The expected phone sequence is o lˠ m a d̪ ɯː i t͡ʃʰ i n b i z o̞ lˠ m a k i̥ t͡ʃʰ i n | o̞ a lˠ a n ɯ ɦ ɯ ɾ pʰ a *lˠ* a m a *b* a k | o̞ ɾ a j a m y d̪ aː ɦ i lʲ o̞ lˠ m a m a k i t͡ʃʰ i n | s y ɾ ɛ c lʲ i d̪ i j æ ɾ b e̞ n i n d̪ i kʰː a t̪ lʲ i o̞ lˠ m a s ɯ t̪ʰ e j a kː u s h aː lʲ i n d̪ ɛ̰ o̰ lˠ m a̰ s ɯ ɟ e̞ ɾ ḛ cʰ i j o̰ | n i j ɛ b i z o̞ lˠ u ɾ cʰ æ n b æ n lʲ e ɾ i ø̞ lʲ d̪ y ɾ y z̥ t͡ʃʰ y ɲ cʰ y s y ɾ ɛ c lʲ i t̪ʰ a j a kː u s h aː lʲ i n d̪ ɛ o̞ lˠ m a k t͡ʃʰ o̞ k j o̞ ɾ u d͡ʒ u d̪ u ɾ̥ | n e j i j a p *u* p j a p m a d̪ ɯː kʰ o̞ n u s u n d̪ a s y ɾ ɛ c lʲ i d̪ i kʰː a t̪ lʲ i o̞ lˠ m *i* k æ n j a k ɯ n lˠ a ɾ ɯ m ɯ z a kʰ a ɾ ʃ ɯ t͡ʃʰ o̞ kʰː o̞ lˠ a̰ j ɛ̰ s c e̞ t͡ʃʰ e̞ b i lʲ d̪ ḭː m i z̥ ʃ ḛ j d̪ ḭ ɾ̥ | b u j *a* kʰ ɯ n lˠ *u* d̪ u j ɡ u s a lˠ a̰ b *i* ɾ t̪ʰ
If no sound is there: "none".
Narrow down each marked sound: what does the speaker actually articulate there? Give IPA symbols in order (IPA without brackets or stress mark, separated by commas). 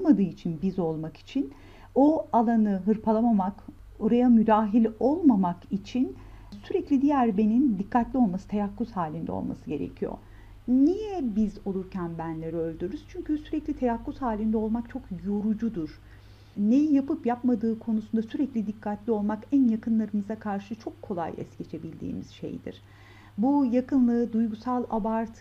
lˠ, m, ɯ, a, a, ɯ, a